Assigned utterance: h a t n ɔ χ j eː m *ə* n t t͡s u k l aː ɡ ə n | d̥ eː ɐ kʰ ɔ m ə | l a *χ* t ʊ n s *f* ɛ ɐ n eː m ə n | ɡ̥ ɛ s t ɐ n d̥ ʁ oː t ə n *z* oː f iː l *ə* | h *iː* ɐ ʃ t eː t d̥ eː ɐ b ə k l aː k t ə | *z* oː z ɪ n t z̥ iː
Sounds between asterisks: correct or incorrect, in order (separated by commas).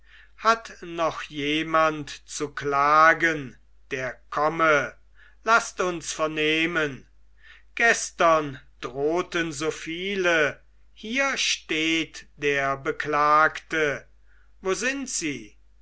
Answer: incorrect, incorrect, correct, correct, correct, correct, incorrect